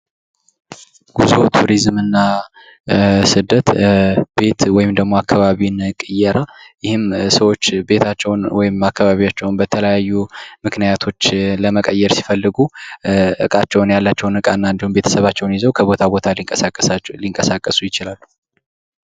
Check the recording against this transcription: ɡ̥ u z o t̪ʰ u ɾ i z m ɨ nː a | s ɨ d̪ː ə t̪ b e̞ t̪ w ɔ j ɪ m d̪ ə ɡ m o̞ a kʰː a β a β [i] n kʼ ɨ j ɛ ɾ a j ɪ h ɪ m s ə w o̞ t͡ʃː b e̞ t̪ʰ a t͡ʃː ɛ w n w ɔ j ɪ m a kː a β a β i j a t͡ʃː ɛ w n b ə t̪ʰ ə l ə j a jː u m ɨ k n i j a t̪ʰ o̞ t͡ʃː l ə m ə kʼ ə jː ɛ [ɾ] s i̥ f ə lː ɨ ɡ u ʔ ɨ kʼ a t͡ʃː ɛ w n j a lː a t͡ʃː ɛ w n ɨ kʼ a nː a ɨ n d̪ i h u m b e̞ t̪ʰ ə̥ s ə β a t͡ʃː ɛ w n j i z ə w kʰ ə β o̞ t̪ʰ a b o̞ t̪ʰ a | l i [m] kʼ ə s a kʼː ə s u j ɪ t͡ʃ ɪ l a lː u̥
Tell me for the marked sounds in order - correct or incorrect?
correct, correct, incorrect: ŋ

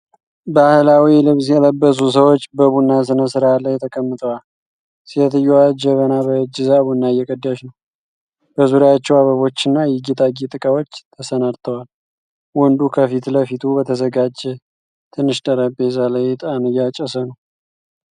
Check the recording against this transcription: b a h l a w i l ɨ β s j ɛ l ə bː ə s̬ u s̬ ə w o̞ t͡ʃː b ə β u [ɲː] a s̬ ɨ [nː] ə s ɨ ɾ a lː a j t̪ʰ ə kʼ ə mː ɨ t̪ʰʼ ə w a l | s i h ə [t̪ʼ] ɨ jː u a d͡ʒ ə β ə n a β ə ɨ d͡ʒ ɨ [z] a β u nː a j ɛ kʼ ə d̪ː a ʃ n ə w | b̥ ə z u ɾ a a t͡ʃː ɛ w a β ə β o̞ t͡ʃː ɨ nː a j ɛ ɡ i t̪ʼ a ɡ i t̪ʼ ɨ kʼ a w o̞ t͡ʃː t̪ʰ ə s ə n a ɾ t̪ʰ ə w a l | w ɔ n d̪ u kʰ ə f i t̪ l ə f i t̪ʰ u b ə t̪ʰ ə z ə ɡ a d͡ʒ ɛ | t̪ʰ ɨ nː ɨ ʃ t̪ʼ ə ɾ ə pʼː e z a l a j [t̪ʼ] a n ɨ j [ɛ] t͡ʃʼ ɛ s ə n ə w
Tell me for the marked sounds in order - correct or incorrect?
incorrect: nː, incorrect: n, incorrect: t̪, correct, correct, incorrect: a

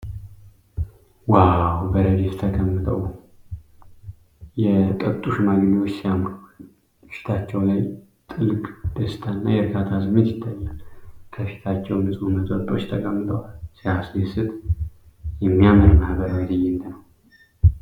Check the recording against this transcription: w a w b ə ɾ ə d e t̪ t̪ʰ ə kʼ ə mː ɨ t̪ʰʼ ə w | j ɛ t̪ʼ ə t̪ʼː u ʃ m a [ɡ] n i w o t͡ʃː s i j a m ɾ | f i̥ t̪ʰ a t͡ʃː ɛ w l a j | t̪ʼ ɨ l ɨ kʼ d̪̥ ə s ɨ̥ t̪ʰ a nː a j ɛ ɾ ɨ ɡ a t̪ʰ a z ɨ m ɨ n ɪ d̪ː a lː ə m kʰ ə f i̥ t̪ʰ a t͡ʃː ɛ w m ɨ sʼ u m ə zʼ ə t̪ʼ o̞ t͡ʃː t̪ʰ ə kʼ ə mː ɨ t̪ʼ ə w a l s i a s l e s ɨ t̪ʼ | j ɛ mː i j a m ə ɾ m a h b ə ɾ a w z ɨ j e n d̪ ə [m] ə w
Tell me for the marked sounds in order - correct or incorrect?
correct, incorrect: n

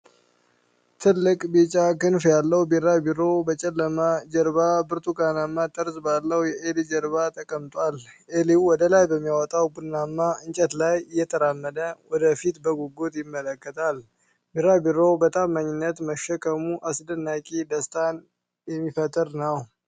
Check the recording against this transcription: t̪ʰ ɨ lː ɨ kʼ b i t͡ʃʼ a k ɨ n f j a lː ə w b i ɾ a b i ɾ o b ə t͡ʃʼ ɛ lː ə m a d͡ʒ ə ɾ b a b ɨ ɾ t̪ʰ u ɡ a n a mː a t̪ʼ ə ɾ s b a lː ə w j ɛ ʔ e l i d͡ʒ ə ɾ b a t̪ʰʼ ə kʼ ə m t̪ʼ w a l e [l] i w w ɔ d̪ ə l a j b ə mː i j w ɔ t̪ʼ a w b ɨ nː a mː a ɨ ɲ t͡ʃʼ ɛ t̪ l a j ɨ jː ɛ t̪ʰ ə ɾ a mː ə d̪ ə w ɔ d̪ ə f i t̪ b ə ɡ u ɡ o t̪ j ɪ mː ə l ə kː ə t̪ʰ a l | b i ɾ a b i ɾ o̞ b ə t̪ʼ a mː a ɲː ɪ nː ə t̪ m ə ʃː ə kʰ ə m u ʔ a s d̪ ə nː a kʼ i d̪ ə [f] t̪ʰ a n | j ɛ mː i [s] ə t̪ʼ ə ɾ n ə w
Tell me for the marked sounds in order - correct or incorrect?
correct, incorrect: s, incorrect: f

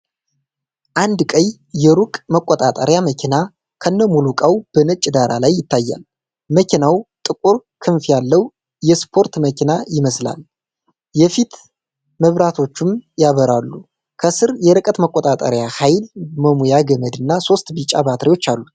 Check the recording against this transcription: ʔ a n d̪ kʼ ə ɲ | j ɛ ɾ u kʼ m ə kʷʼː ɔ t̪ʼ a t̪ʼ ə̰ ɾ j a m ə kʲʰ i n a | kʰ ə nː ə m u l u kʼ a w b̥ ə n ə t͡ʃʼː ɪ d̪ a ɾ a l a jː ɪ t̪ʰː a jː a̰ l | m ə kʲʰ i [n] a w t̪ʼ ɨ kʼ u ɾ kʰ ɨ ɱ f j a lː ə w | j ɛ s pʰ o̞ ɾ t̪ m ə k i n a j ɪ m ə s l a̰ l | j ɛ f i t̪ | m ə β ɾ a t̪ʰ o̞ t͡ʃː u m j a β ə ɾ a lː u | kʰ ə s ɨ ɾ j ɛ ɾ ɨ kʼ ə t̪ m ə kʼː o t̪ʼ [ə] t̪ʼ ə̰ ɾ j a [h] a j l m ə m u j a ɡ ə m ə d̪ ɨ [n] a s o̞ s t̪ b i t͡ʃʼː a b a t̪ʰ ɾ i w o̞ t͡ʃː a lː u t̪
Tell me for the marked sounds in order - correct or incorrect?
correct, incorrect: a, correct, incorrect: nː

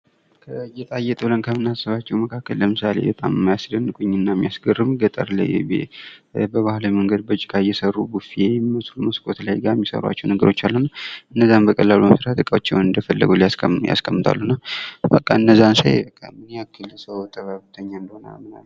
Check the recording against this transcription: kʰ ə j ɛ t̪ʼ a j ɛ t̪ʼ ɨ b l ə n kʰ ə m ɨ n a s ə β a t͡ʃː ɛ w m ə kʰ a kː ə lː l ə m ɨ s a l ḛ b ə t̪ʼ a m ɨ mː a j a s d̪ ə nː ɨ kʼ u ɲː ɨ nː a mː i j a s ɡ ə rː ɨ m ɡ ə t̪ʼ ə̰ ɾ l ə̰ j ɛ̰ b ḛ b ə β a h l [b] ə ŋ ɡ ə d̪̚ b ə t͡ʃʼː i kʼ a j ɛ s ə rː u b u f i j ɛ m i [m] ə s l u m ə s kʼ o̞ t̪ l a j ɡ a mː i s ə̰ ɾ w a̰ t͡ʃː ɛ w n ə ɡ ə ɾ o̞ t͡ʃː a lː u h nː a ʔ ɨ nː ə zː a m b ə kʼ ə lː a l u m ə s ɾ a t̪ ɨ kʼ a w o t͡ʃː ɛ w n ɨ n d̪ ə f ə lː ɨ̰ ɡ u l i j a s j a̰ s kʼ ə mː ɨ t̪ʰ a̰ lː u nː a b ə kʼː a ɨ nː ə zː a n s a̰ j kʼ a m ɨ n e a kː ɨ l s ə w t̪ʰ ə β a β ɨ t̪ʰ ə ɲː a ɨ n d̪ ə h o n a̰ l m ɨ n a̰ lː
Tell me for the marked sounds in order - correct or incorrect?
incorrect: m, correct

